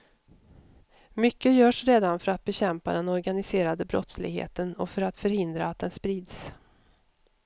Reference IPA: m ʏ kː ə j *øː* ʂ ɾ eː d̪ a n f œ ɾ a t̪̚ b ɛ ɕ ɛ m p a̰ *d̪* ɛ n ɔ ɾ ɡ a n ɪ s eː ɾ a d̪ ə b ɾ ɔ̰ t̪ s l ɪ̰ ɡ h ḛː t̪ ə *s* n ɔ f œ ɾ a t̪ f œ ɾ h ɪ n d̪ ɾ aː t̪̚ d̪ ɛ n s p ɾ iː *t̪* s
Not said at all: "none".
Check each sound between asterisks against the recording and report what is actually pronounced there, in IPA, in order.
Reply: œː, d̪, none, d̪

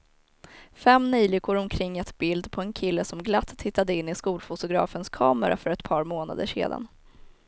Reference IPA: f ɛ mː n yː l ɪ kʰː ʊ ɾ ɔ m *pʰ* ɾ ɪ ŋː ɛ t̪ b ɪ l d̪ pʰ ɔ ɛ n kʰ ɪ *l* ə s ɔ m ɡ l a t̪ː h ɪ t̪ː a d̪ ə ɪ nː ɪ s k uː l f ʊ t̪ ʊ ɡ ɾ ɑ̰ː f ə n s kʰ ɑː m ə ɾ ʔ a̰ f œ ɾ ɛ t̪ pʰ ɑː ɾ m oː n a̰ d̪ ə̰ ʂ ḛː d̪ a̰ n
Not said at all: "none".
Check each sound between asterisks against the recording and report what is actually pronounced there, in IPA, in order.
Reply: kʰ, lː

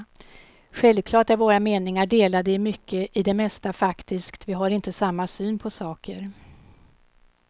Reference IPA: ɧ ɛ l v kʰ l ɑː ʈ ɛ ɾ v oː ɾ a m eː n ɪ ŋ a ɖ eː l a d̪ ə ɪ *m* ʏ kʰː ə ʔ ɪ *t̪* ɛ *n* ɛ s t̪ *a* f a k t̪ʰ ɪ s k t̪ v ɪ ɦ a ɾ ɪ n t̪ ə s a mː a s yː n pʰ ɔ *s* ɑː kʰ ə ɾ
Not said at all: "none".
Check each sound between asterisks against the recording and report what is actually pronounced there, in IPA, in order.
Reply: m, d̪, m, a, s

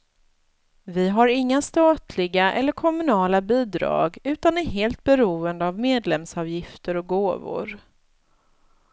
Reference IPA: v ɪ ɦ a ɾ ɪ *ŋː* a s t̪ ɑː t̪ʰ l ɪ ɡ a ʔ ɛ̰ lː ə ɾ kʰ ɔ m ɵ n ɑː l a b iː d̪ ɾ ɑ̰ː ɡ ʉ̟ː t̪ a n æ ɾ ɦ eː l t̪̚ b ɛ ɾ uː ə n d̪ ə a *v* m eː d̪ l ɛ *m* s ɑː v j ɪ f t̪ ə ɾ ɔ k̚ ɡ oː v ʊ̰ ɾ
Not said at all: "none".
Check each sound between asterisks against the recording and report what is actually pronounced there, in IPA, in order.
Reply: ŋː, v, m

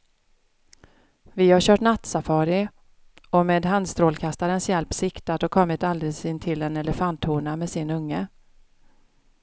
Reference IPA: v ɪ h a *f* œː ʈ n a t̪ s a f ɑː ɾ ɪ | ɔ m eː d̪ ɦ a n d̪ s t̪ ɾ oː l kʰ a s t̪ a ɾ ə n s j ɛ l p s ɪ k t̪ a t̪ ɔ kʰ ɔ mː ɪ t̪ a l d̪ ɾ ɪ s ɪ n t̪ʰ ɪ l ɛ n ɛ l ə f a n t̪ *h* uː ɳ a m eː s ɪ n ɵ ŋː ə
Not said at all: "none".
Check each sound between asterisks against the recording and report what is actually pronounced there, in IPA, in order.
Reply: ɕ, h

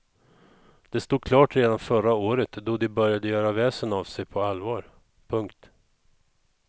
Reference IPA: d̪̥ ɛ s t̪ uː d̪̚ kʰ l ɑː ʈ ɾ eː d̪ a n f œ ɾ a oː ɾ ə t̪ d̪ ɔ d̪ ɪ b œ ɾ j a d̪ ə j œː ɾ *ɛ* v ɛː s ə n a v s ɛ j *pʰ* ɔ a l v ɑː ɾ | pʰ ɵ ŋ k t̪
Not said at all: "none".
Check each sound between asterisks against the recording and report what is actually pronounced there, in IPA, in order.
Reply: a, pʰ

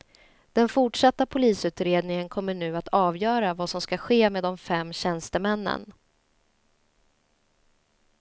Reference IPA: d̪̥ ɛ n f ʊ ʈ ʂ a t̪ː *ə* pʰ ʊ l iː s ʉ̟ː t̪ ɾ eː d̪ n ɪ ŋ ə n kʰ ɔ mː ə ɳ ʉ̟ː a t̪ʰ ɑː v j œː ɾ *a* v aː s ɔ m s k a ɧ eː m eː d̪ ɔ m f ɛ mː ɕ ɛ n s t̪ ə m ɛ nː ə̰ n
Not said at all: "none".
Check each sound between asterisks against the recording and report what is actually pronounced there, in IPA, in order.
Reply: a, a

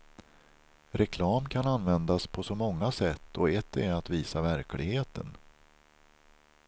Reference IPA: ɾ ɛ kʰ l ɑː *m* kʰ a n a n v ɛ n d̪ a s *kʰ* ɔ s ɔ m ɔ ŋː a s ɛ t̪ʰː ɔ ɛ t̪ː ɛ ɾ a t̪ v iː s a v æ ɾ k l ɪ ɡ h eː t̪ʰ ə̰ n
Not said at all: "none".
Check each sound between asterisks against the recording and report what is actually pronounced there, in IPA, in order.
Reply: m, pʰ

